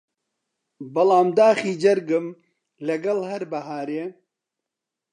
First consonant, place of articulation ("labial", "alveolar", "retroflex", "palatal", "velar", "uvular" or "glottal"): labial